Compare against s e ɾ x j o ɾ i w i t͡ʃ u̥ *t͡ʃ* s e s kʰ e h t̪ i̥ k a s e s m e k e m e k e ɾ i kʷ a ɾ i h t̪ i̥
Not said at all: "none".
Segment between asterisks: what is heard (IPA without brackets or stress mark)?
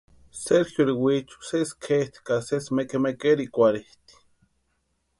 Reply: none